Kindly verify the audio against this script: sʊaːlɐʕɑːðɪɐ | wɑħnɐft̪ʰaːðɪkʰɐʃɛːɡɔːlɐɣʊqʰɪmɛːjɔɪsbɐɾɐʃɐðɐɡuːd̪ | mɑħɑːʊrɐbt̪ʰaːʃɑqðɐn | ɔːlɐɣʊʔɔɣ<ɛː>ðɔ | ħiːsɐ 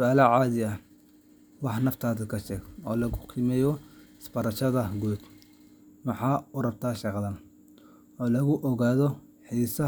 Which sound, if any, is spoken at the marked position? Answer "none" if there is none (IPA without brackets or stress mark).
aː